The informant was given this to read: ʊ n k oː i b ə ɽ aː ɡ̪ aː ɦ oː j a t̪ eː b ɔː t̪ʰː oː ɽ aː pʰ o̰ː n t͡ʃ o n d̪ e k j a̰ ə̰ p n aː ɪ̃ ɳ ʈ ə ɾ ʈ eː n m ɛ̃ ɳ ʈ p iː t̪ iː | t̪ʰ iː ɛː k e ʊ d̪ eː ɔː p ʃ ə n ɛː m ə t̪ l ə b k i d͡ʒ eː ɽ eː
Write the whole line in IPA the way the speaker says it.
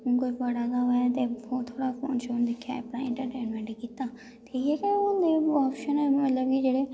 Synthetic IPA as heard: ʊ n k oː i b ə ɽ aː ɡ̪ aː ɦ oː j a t̪ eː b ɔː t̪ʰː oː ɽ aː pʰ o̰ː n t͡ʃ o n d̪ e kʰ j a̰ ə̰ p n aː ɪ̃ ɳ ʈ ə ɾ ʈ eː n m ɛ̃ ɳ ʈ k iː t̪ aː | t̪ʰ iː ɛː k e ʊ d̪ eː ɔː p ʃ ə n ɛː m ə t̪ l ə b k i d͡ʒ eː ɽ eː